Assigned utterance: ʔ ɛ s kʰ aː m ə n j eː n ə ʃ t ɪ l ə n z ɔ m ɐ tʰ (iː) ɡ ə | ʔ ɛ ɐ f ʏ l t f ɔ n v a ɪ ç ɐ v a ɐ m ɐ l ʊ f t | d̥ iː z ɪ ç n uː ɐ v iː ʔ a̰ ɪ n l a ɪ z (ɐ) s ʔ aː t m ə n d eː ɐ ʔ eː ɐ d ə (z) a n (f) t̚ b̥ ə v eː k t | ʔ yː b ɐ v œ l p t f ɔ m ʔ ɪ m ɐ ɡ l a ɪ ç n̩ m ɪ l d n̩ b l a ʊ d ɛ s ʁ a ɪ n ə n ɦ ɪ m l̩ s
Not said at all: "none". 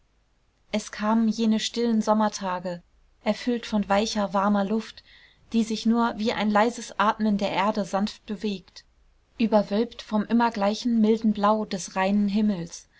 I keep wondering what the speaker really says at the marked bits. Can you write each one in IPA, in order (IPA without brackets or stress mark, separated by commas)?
aː, ə, z, f